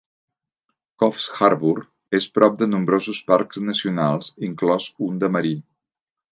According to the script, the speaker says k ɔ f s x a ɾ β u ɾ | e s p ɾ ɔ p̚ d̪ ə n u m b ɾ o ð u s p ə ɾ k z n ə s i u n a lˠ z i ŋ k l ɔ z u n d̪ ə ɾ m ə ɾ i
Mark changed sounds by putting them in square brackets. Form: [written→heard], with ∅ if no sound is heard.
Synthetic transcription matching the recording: k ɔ f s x a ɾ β u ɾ | e s p ɾ ɔ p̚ d̪ ə n u m b ɾ o [ð→z] u s p [ə→a] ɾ k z n ə s i u n a lˠ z i ŋ k l ɔ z u n d̪ ə [ɾ→∅] m ə ɾ i